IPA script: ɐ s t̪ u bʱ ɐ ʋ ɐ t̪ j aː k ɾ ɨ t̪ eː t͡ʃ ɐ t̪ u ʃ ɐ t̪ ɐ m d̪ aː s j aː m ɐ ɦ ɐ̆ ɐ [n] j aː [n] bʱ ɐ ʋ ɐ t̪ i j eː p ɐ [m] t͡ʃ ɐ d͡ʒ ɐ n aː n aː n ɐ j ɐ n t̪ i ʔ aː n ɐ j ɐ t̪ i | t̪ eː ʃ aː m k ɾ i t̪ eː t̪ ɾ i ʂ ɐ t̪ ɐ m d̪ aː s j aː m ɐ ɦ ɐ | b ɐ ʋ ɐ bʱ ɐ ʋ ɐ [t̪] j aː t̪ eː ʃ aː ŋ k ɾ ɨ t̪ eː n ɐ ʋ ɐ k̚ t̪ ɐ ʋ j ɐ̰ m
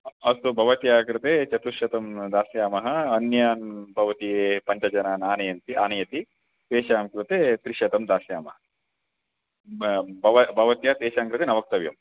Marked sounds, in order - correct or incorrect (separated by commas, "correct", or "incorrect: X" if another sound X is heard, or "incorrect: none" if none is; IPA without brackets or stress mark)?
correct, correct, incorrect: ɲ, correct